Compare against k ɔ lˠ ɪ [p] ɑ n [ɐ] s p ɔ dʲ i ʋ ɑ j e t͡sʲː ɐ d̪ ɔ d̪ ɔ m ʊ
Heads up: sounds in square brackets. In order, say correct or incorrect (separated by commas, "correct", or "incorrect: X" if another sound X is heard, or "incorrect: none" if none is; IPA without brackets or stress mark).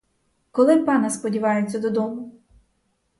correct, correct